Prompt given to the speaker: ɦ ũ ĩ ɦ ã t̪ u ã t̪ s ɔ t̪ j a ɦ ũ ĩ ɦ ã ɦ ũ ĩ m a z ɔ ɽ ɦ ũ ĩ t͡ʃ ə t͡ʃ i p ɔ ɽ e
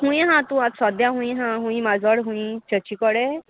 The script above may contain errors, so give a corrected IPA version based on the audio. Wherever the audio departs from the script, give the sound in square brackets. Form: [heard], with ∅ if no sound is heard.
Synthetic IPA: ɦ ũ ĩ ɦ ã t̪ u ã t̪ s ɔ [d̪] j a ɦ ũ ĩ ɦ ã ɦ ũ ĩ m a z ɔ ɽ ɦ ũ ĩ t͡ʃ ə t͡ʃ i [k] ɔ ɽ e

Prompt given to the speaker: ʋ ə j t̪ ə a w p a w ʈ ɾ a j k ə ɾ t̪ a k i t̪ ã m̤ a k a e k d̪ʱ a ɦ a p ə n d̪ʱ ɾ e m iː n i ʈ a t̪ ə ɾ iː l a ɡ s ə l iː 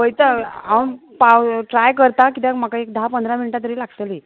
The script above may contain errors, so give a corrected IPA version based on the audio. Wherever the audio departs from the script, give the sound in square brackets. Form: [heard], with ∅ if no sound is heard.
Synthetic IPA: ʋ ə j t̪ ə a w p a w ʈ ɾ a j k ə ɾ t̪ a k i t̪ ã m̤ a k a e k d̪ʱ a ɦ a p ə n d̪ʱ ɾ [a] m [i] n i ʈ a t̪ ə ɾ iː l a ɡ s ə l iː

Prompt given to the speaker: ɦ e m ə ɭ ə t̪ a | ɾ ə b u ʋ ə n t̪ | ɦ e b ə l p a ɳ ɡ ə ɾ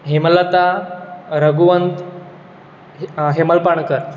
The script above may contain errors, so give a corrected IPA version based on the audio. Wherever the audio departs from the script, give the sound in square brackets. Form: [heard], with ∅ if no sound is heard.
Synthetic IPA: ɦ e m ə [l] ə t̪ a | ɾ ə [ɡ] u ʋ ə n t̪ | ɦ e [m] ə l p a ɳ [k] ə ɾ

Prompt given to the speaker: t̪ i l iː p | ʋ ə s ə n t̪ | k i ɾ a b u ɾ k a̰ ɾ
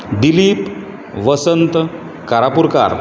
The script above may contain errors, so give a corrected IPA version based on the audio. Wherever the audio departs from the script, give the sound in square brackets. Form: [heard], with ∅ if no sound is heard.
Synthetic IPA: [d̪] i l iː p | ʋ ə s ə n t̪ | k [a] ɾ a [p] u ɾ k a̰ ɾ

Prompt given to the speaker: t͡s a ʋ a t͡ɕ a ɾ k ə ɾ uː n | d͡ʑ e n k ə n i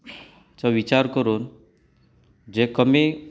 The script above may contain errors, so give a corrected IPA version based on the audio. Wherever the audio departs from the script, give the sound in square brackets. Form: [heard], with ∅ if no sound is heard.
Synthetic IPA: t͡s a ʋ [i] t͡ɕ a ɾ k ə ɾ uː n | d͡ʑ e [∅] k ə [m] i

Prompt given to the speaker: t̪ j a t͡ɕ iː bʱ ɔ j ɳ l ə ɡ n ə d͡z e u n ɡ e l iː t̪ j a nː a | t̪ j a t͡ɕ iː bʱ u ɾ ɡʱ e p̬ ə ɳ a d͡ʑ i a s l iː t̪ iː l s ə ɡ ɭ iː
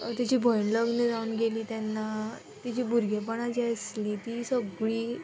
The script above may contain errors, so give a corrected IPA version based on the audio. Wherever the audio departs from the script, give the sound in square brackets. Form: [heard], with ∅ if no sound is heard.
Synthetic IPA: t̪ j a t͡ɕ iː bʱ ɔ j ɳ l ə ɡ n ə d͡z [a] u n ɡ e l iː t̪ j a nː a | t̪ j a t͡ɕ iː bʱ u ɾ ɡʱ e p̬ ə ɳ a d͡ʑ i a s l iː t̪ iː [∅] s ə ɡ ɭ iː

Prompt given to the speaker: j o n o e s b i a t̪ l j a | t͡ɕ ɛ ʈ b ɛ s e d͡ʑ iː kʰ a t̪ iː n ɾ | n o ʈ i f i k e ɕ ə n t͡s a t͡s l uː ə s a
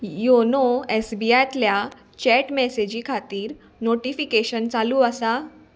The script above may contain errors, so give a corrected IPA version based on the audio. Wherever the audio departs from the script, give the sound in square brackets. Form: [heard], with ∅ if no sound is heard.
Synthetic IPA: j o n o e s b i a t̪ l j a | t͡ɕ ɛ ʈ [m] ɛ s e d͡ʑ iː kʰ a t̪ iː [∅] ɾ | n o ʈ i f i k e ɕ ə n t͡s a [∅] l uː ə s a

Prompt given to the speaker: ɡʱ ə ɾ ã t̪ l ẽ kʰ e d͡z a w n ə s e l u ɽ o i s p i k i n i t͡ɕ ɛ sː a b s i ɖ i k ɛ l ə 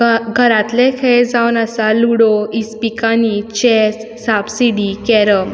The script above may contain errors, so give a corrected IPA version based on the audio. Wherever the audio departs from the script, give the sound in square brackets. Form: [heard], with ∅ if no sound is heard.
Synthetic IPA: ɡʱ ə ɾ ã t̪ l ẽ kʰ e d͡z a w n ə s [a] l u ɽ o i s p i k [a] n i t͡ɕ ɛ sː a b s i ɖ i k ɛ [ɾ] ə

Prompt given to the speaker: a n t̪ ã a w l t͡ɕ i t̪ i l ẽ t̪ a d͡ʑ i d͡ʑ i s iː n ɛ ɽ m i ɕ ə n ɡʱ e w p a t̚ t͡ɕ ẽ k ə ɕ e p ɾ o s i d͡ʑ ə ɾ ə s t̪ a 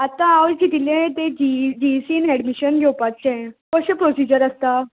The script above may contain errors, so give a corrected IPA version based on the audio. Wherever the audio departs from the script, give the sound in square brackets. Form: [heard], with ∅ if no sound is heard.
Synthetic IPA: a [∅] t̪ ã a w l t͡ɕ i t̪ i l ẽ t̪ [e] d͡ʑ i d͡ʑ i s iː n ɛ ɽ m i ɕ ə n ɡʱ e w p a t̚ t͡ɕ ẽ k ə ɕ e p ɾ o s i d͡ʑ ə ɾ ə s t̪ a

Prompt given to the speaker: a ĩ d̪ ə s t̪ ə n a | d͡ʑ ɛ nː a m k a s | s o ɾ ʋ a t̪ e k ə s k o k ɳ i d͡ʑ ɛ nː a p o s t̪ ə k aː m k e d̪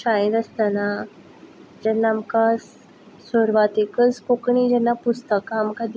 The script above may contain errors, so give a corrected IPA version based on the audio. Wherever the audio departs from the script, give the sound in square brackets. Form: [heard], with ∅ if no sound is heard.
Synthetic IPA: a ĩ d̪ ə s t̪ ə n a | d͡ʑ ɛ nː a m k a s | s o ɾ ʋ a t̪ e k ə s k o k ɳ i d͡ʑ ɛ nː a p [u] s t̪ ə k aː m k [a] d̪

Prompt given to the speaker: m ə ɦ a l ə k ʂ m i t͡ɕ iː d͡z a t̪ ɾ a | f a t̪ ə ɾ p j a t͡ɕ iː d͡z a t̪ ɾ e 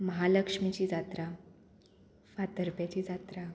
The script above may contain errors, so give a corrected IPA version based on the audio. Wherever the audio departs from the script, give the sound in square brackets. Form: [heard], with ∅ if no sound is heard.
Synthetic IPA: m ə ɦ a l ə k ʂ m i t͡ɕ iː d͡z a t̪ ɾ a | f a t̪ ə ɾ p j a t͡ɕ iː d͡z a t̪ ɾ [a]

